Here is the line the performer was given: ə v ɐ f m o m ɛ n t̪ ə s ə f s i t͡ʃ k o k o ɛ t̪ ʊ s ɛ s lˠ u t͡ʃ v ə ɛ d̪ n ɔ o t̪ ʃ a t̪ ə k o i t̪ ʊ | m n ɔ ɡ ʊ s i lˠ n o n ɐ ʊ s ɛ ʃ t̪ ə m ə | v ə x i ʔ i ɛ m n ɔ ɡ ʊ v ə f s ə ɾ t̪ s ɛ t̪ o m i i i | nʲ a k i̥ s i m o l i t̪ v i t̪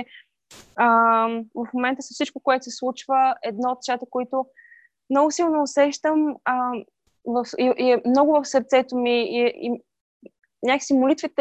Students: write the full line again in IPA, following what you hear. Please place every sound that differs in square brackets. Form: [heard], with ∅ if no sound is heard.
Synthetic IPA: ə v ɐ f m o m ɛ n t̪ ə s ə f s i t͡ʃ k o k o ɛ t̪ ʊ s ɛ s lˠ u t͡ʃ v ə ɛ d̪ n ɔ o t̪ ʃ a t̪ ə k o i t̪ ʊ | m n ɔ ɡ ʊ s i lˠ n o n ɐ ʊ s ɛ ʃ t̪ ə m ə | v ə [f] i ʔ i ɛ m n ɔ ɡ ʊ v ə f s ə ɾ t̪ s ɛ t̪ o m i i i | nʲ a k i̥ s i m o l i t̪ v i t̪